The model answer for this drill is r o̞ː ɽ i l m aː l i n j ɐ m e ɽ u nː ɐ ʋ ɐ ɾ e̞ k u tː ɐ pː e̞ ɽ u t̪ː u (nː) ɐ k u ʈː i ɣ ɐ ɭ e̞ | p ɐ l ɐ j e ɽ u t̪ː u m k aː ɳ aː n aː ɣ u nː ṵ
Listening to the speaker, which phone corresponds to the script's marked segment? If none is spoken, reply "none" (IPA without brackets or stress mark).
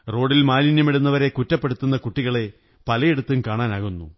nː